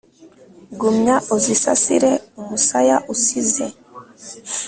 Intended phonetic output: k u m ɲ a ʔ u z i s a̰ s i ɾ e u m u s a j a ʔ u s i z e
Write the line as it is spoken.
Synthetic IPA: ɡ u m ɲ a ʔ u z i s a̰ s i ɾ e u m u s a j a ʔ u s i z e